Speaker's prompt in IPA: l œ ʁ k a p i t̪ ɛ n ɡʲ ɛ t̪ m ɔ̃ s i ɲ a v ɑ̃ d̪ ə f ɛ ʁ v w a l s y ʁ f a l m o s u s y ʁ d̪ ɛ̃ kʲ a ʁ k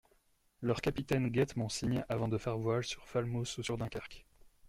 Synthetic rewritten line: l œ ʁ k a p i t̪ ɛ n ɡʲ ɛ t̪ m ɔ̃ s i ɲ a v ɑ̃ d̪ ə f ɛ ʁ v w a l s y ʁ f a l m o s u s y ʁ d̪ ɛ̃ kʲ a ʁ k